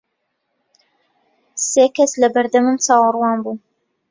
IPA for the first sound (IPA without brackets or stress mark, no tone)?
s